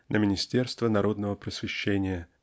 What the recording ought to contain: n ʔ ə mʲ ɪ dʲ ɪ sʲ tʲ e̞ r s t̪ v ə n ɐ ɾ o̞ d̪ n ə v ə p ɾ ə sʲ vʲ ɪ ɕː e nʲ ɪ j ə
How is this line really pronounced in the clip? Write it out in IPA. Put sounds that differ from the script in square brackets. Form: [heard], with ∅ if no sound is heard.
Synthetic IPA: n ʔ ə mʲ ɪ [nʲ] ɪ sʲ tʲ e̞ r s t̪ v ə n ɐ ɾ o̞ d̪ n ə v ə p ɾ ə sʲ vʲ ɪ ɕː e nʲ ɪ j ə